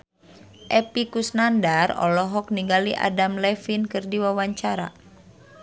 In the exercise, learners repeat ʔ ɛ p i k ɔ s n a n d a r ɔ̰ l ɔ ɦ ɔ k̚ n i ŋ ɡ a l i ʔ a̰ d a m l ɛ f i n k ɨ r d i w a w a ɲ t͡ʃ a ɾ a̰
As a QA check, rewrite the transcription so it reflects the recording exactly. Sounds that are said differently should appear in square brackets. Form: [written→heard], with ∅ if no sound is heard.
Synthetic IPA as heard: ʔ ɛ p i k [ɔ→u] s n a n d a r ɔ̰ l ɔ ɦ ɔ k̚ n i ŋ ɡ a l i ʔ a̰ d a m l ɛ f i n k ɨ r d i w a w a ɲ t͡ʃ a ɾ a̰